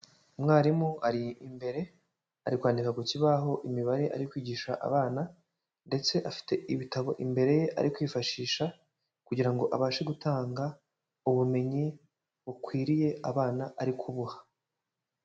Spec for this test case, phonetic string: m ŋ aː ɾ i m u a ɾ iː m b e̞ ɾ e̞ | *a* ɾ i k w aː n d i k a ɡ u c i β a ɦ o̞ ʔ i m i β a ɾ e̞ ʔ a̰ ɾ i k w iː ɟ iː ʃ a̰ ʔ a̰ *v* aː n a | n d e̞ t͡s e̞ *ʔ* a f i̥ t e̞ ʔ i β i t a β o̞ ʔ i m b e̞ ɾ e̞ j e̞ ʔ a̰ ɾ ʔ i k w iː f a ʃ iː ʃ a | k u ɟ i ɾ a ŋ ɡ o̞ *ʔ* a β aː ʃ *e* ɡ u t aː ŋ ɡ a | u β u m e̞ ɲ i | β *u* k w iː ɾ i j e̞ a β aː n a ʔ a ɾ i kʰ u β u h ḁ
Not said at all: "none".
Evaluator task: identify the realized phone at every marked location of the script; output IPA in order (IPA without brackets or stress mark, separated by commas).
a, β, ʔ, ʔ, e, u